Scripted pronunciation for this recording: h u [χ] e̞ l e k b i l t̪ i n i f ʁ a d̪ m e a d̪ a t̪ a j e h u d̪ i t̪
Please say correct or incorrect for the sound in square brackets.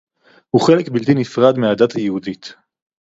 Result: correct